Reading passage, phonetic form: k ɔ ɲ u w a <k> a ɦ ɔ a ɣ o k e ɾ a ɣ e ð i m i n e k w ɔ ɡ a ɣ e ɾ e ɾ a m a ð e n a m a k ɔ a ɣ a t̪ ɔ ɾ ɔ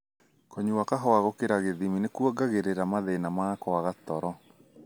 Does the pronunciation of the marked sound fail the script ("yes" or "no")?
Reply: no